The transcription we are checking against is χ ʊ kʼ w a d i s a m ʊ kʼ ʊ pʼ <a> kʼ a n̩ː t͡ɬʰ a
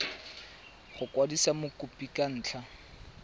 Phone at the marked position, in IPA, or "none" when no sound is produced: i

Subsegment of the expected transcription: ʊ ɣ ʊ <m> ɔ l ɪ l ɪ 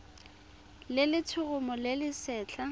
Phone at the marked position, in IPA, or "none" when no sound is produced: m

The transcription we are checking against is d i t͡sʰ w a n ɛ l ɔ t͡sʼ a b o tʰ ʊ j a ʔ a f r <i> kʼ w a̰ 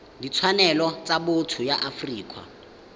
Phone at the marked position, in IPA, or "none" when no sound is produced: iː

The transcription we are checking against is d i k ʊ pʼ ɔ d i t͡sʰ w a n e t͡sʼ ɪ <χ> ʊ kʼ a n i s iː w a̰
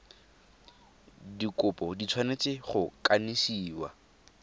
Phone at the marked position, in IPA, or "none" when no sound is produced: χ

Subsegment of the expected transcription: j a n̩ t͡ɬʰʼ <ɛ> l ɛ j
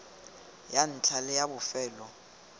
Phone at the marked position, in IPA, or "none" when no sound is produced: a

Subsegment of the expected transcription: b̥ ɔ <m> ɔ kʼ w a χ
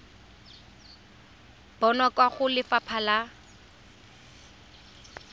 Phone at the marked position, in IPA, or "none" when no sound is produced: n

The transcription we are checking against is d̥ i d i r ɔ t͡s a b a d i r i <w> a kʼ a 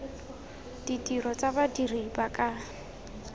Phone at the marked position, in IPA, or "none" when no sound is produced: b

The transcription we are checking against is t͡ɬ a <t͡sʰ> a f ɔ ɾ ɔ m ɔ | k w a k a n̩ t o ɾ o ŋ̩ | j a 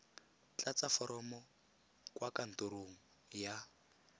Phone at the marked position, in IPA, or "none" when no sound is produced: t͡s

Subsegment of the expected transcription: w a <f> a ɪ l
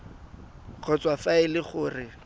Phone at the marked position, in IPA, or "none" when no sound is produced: f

